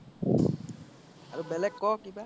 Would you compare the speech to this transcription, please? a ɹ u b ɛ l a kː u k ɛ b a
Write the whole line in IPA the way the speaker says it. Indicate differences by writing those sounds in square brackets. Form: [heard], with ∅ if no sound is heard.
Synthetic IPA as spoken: a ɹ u b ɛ l [ɛ] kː [ɔ] k [i] b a